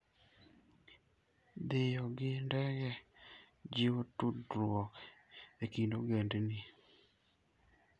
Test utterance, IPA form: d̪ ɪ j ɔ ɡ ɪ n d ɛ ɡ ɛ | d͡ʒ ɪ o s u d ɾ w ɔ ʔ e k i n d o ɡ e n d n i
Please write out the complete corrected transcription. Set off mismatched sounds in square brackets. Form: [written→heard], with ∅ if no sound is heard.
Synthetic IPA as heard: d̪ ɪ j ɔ ɡ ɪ n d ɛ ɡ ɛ | d͡ʒ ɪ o [s→t] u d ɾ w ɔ [ʔ→k] e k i n d o ɡ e n d n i